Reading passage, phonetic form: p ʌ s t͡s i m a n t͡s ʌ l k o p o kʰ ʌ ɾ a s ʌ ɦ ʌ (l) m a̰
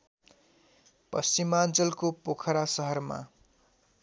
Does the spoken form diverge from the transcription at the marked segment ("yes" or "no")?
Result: yes